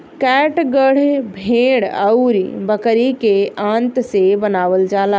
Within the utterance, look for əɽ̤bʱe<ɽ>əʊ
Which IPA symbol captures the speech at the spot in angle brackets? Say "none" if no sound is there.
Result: ɽ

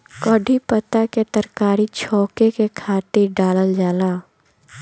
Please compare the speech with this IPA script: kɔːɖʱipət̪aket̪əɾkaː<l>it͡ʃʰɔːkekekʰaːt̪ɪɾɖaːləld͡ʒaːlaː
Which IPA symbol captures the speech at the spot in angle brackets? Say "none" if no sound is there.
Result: ɾ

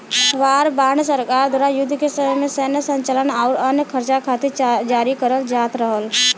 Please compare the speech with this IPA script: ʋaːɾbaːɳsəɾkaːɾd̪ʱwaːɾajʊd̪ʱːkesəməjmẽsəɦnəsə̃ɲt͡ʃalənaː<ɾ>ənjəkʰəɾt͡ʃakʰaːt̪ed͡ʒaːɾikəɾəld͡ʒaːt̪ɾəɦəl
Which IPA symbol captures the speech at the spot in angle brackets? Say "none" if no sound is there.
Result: ɾ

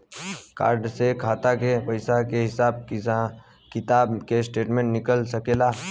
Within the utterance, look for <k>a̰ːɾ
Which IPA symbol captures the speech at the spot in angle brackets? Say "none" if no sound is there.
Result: k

